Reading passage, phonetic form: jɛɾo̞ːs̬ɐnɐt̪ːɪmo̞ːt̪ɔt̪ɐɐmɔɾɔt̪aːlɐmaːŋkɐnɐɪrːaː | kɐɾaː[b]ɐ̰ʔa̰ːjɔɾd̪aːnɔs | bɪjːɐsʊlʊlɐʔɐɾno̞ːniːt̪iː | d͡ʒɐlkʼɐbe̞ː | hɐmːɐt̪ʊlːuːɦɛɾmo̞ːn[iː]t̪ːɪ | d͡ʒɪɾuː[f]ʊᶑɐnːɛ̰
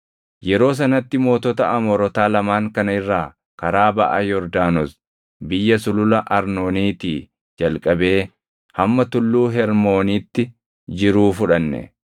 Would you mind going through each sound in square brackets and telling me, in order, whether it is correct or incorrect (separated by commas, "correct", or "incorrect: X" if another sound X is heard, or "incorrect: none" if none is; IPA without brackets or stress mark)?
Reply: correct, correct, correct